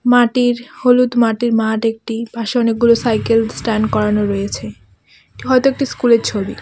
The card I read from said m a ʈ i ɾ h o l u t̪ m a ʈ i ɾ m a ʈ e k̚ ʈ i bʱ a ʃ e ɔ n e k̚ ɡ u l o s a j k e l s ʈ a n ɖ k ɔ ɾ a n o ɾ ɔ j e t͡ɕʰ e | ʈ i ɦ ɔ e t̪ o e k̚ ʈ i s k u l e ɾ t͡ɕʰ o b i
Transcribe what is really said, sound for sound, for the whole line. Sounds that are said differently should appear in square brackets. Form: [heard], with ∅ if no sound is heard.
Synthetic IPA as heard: m a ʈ i ɾ h o l u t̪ m a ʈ i ɾ m a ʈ e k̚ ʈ i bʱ a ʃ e ɔ n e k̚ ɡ u l o s a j k e l s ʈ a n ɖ k ɔ ɾ a n o ɾ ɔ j e t͡ɕʰ e | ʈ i ɦ ɔ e t̪ o e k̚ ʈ i s k u l e ɾ t͡ɕʰ o b i

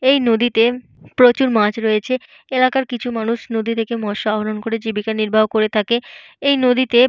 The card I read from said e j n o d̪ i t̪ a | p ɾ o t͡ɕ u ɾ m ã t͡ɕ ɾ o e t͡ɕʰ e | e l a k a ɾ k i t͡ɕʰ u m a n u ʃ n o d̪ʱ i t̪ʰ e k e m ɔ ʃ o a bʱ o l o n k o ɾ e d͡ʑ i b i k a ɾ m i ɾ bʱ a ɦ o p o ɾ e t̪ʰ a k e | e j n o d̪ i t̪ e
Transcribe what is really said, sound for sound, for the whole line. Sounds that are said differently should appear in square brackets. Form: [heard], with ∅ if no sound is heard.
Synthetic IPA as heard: e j n o d̪ i t̪ [e] | p ɾ o t͡ɕ u ɾ m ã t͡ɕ ɾ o e t͡ɕʰ e | e l a k a ɾ k i t͡ɕʰ u m a n u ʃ n o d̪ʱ i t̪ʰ e k e m ɔ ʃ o a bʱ o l o n k o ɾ e d͡ʑ i b i k a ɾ [n] i ɾ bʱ a ɦ o [k] o ɾ e t̪ʰ a k e | e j n o d̪ i t̪ e

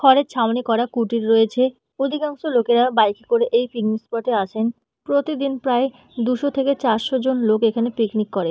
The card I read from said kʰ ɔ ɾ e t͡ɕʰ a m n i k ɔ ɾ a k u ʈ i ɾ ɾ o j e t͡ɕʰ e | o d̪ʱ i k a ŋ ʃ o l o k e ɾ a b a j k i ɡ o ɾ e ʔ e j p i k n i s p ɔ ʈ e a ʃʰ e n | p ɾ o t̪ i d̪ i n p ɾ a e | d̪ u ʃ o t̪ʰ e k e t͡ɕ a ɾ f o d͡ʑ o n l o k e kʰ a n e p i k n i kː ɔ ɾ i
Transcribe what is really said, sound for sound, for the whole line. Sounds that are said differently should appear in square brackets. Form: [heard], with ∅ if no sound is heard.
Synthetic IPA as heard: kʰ ɔ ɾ e t͡ɕʰ a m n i k ɔ ɾ a k u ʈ i ɾ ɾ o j e t͡ɕʰ e | o d̪ʱ i k a ŋ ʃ o l o k e ɾ a b a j k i [k] o ɾ e ʔ e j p i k n i s p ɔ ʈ e a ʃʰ e n | p ɾ o t̪ i d̪ i n p ɾ a e | d̪ u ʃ o t̪ʰ e k e t͡ɕ a ɾ [ʃ] o d͡ʑ o n l o k e kʰ a n e p i k n i kː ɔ ɾ [e]

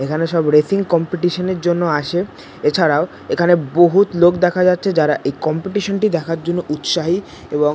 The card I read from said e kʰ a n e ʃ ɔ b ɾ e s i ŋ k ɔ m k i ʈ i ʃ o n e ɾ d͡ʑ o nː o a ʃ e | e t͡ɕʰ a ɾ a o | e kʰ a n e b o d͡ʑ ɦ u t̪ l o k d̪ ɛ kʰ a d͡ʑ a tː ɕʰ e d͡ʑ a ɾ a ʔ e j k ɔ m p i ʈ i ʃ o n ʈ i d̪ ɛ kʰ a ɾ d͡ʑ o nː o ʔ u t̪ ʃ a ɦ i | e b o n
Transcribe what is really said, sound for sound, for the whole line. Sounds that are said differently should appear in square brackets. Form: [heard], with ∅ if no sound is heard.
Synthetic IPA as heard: e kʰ a n e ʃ ɔ b ɾ e s i ŋ k ɔ m [p] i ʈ i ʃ o n e ɾ d͡ʑ o nː o a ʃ e | e t͡ɕʰ a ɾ a o | e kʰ a n e b o [∅] ɦ u t̪ l o k d̪ ɛ kʰ a d͡ʑ a tː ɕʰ e d͡ʑ a ɾ a ʔ e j k ɔ m p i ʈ i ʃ o n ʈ i d̪ ɛ kʰ a ɾ d͡ʑ o nː o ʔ u t̪ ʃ a ɦ i | e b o [ŋ]

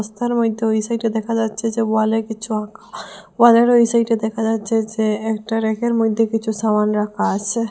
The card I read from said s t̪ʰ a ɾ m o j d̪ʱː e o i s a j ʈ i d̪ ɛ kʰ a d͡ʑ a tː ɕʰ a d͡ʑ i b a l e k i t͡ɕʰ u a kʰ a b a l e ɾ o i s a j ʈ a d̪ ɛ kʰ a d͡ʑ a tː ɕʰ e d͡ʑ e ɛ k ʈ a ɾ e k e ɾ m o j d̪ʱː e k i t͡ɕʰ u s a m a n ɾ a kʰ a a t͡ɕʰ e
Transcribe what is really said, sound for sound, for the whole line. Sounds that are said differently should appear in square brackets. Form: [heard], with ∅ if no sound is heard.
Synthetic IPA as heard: s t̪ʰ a ɾ m o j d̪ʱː e o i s a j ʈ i d̪ ɛ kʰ a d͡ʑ a tː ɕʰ [e] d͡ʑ [e] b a l e k i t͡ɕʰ u a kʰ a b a l e ɾ o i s a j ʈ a d̪ ɛ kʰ a d͡ʑ a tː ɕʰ e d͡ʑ e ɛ k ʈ a ɾ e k e ɾ m o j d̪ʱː e k i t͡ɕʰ u s a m a n ɾ a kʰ a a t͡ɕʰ e

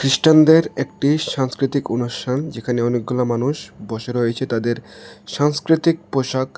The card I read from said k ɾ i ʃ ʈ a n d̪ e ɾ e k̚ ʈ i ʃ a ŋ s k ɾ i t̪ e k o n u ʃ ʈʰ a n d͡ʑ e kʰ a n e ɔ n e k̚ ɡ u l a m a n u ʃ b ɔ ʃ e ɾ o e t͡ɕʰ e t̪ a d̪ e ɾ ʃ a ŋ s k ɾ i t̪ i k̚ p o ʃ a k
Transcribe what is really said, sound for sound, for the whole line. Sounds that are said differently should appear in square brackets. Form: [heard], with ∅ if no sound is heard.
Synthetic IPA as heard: k ɾ i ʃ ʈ a n d̪ e ɾ e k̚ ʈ i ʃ a ŋ s k ɾ i t̪ [i] k o n u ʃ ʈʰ a n d͡ʑ e kʰ a n e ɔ n e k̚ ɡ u l a m a n u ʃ b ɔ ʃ e ɾ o e t͡ɕʰ e t̪ a d̪ e ɾ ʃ a ŋ s k ɾ i t̪ i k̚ p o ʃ a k

